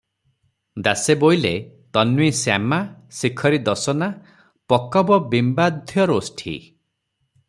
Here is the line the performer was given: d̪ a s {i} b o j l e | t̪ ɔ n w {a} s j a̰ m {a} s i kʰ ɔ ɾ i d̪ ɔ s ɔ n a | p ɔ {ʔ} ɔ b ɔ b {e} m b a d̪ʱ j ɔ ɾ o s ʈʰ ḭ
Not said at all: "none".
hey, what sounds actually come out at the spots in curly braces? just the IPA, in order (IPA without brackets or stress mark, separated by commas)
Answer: e, i, a, k, i